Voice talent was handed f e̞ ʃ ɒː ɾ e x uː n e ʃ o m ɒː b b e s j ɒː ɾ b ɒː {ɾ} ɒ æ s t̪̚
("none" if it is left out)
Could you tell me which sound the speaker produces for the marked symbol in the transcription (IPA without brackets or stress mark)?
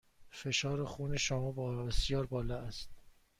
l